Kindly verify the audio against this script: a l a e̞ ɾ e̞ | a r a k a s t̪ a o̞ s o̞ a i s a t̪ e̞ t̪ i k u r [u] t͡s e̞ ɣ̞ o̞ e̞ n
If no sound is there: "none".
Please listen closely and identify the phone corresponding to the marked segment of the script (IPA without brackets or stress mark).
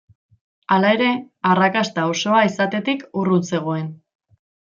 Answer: u